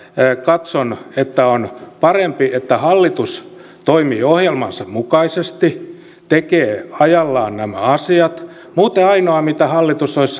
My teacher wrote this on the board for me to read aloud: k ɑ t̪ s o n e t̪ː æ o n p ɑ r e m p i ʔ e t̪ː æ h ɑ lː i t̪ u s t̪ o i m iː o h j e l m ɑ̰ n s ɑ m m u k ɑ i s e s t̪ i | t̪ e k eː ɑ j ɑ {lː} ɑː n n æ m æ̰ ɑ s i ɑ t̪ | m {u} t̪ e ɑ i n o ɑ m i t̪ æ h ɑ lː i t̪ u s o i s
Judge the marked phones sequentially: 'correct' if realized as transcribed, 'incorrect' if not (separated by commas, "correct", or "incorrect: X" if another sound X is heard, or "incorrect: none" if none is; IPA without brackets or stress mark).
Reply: correct, incorrect: uː